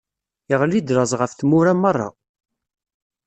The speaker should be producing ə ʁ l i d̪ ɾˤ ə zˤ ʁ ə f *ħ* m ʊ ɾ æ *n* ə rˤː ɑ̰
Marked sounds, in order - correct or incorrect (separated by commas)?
incorrect, incorrect